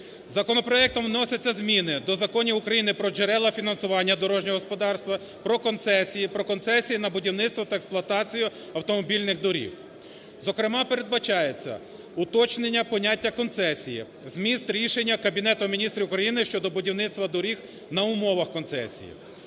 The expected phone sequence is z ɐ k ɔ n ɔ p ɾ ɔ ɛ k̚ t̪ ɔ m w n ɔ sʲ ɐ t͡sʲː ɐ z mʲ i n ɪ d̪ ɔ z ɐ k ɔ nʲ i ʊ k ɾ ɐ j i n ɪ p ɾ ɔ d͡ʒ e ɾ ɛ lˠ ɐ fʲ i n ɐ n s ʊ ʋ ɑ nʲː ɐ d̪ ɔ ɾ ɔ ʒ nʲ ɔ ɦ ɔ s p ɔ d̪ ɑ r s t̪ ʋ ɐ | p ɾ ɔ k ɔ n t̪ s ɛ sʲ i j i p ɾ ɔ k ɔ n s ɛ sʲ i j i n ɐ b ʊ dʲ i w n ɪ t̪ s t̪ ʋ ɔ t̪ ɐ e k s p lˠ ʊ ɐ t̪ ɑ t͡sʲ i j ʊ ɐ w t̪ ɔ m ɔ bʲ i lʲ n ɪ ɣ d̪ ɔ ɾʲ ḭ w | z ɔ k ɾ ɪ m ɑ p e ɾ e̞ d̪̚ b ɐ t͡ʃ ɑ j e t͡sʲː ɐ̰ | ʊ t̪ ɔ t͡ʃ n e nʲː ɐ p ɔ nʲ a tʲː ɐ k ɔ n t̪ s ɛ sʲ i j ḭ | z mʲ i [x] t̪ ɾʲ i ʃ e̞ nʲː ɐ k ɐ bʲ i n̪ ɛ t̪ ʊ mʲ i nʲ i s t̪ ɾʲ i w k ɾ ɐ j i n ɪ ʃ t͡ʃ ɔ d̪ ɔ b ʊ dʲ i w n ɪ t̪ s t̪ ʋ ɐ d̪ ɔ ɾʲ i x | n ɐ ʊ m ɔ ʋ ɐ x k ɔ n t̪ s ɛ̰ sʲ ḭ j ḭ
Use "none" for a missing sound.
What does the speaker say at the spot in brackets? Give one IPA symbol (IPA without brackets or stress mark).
s